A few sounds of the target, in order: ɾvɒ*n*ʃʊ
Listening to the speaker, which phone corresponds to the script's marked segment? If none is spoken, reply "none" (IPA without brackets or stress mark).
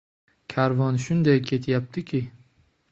n